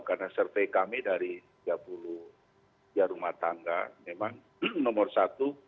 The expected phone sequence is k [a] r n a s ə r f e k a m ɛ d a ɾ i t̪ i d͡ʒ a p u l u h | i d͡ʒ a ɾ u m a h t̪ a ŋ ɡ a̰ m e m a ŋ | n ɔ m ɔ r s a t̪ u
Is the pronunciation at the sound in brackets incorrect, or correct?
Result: correct